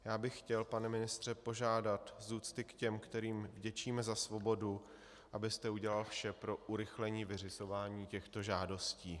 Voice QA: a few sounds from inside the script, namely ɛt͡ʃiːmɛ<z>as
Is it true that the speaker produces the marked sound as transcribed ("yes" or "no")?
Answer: yes